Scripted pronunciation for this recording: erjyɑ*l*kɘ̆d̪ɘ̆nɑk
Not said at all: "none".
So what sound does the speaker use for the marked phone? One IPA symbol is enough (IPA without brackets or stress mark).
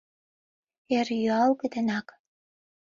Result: l